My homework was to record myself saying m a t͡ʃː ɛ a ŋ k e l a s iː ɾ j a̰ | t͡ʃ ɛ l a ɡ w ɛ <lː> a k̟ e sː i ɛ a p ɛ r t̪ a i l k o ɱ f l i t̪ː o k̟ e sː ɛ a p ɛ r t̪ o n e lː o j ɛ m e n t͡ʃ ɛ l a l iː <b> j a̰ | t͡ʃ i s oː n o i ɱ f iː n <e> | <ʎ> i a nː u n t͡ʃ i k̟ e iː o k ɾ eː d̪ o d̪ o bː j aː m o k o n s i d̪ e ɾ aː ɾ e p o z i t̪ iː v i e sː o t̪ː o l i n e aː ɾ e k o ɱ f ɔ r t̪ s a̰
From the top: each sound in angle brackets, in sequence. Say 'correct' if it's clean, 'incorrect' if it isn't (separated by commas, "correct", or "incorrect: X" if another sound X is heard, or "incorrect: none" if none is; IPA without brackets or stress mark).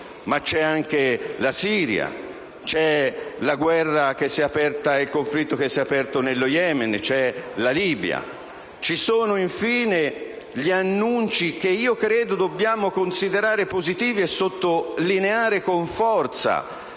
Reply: incorrect: rː, correct, correct, correct